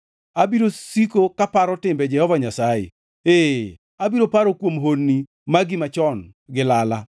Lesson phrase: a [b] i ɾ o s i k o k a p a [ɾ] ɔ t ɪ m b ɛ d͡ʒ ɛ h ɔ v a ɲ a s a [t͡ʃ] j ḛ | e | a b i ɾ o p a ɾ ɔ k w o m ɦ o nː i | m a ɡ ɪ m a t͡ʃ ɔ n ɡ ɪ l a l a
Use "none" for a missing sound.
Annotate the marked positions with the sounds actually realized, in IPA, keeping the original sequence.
b, ɾ, none

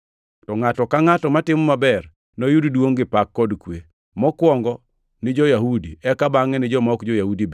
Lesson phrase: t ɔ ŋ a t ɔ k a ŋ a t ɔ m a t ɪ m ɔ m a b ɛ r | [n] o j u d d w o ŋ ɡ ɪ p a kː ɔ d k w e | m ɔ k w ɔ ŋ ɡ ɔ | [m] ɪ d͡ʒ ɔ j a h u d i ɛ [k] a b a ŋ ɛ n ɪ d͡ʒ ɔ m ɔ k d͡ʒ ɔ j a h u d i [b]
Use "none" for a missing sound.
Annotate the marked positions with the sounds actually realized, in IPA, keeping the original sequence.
n, n, k, b

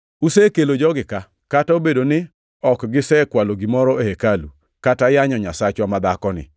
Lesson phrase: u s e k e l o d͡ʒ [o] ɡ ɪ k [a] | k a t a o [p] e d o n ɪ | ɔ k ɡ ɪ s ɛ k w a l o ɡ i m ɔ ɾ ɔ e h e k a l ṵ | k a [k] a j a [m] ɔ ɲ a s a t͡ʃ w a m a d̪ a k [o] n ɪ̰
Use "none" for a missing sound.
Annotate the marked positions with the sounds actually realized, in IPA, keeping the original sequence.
ɔ, a, b, t, ɲ, ɔ

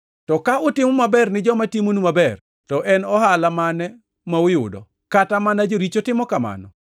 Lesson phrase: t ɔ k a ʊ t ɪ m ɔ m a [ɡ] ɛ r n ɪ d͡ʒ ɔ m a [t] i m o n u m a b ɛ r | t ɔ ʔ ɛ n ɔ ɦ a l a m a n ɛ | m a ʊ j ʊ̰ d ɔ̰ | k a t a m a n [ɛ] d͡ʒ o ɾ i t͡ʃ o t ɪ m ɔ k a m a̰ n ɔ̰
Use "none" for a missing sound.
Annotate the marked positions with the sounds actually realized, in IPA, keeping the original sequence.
b, t, a

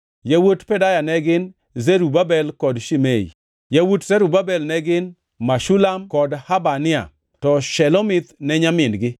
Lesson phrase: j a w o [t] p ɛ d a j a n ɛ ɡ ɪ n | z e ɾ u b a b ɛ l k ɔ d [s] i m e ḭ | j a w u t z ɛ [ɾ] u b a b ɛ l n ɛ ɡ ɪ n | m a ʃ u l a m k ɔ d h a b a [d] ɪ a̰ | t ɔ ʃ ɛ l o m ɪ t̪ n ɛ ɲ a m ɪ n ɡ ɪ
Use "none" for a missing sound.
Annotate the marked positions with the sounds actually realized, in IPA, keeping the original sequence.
t, ʃ, ɾ, n

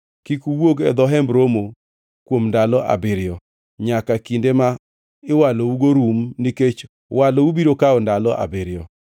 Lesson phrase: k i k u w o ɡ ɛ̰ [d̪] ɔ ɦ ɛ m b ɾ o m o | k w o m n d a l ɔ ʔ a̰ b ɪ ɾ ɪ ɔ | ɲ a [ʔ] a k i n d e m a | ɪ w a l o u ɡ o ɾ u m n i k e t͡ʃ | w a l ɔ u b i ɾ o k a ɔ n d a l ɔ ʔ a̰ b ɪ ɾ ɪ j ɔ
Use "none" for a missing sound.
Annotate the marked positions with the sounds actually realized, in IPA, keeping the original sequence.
d̪, k

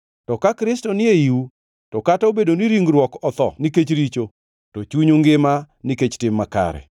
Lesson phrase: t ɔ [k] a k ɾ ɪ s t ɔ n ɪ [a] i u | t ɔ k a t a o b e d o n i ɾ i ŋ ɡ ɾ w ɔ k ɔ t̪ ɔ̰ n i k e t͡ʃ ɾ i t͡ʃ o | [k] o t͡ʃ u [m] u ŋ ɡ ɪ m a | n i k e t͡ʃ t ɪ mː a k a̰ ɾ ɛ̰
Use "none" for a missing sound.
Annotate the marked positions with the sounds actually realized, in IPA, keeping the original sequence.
k, e, t, ɲ

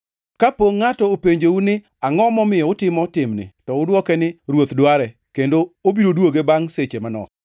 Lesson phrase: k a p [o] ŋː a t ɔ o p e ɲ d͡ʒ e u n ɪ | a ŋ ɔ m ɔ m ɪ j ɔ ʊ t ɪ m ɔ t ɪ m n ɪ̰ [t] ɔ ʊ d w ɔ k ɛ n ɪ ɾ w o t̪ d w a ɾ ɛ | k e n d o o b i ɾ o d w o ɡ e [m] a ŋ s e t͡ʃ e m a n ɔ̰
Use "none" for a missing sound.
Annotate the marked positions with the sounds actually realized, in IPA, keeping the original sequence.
o, t, b

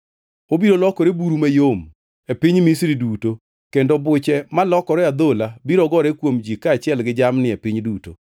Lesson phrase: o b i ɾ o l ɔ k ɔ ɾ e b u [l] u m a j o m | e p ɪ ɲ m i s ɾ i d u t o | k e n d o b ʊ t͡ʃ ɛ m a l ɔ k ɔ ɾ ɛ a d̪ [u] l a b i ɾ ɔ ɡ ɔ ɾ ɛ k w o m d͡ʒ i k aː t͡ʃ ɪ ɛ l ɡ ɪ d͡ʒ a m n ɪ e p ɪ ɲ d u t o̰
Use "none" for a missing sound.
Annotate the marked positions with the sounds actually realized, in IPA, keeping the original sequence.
ɾ, o

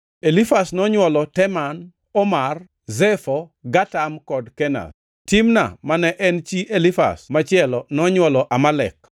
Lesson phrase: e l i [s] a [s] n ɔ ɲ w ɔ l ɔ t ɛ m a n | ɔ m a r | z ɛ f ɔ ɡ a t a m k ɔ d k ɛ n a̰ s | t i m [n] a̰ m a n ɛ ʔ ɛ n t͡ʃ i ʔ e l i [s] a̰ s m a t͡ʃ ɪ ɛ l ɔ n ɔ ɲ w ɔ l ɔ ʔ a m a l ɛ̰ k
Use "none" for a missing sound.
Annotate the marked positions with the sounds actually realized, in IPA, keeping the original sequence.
f, s, n, f

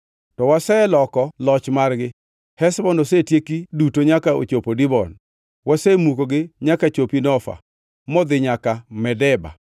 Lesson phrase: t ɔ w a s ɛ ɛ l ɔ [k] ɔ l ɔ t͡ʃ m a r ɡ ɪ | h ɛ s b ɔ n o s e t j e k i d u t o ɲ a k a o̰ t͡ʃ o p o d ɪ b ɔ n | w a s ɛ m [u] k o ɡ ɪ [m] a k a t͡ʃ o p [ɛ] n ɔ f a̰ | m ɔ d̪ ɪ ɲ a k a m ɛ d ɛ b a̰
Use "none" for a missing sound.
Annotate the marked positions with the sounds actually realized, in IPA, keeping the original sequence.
k, u, ɲ, i

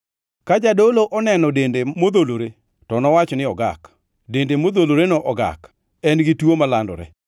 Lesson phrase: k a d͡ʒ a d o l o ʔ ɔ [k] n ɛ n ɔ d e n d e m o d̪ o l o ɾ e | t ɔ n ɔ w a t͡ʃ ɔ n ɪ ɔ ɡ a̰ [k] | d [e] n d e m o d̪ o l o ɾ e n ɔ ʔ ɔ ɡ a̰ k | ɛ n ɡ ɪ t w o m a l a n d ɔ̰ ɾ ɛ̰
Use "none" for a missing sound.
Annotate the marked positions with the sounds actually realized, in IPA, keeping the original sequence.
none, k, e

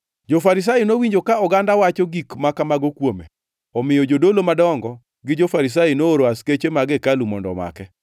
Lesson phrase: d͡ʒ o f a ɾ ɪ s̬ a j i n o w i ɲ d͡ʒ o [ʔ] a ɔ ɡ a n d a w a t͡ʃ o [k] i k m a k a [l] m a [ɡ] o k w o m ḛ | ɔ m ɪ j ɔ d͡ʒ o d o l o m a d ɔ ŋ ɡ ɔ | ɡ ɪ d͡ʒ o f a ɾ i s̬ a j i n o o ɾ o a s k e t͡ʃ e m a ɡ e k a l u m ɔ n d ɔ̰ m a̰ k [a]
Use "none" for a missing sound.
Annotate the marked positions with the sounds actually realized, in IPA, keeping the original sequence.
k, ɡ, none, ɡ, ɛ

